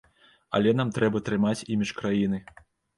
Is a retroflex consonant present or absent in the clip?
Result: present